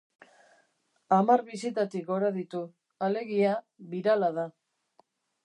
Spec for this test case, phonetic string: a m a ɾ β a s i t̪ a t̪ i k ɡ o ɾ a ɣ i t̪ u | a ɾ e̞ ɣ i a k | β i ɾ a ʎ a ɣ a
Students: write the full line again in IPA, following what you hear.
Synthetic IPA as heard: a m a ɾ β i s i t̪ a t̪ i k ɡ o ɾ a ð i t̪ u | a l e̞ ɣ i a | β i ɾ a l a ð a